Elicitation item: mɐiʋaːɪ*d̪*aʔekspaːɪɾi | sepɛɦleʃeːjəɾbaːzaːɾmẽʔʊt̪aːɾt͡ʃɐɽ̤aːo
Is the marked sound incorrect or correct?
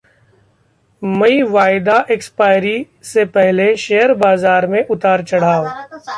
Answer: correct